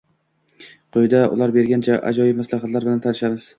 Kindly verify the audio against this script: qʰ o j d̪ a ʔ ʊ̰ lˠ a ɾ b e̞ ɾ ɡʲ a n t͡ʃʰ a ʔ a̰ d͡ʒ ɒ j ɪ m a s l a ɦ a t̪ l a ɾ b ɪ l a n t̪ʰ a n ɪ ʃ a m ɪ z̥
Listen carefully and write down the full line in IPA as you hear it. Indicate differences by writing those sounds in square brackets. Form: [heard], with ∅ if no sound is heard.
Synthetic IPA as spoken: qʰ o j d̪ a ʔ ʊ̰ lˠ a ɾ b e̞ ɾ ɡʲ a n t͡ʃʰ a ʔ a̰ d͡ʒ ɒ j ɪ m a s l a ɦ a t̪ l a ɾ b ɪ l a n t̪ʰ a n ɪ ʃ a m ɪ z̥